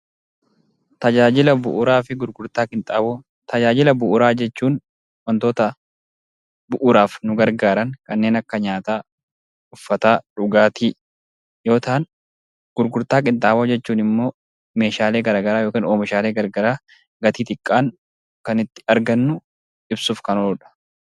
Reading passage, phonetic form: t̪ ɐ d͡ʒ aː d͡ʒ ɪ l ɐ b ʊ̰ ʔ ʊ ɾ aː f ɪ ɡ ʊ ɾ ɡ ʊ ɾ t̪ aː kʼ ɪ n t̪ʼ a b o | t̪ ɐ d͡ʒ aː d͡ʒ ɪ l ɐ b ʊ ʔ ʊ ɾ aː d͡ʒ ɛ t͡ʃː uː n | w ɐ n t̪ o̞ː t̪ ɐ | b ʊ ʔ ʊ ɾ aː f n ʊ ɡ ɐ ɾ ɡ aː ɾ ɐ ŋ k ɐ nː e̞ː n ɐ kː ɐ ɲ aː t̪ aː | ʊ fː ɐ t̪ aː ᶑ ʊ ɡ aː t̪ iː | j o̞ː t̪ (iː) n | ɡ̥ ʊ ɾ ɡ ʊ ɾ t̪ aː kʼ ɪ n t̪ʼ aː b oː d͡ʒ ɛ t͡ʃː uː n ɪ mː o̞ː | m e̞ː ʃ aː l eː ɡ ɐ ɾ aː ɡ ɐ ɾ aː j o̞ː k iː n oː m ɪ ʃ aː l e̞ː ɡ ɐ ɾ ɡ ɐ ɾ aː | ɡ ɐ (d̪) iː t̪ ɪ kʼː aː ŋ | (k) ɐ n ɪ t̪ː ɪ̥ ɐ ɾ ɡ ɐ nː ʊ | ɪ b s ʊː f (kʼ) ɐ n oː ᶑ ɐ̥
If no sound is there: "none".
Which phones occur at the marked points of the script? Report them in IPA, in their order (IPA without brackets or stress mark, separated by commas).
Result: aː, t̪, k, k